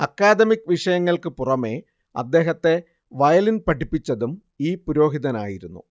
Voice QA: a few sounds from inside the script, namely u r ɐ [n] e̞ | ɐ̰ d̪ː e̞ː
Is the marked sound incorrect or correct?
incorrect